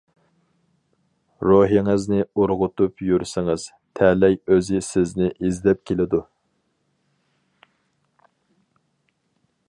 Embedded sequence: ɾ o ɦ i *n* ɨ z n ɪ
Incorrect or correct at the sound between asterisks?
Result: incorrect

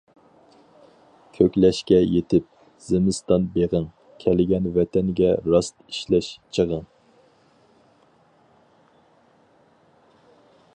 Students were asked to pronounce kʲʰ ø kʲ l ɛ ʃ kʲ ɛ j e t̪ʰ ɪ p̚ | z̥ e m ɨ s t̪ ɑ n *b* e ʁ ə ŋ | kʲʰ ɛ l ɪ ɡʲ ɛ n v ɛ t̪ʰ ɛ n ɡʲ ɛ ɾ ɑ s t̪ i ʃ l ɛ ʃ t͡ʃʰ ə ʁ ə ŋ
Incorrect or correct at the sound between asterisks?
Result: correct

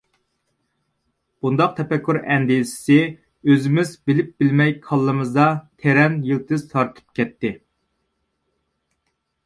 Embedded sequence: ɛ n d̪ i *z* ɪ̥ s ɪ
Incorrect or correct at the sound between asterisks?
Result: incorrect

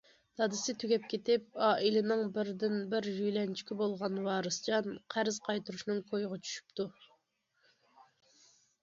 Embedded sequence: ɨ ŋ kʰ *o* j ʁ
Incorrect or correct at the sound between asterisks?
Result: correct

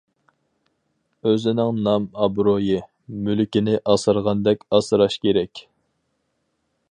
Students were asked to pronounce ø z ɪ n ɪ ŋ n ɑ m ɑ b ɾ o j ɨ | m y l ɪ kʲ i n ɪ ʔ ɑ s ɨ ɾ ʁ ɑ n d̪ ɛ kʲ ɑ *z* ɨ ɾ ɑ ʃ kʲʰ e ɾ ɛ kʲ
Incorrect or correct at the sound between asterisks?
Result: incorrect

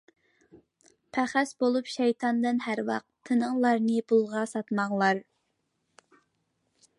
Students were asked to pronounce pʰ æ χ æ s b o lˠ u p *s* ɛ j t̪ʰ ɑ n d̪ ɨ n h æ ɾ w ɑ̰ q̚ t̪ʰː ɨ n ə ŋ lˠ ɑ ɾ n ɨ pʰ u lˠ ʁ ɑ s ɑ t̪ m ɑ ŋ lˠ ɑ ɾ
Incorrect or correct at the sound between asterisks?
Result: incorrect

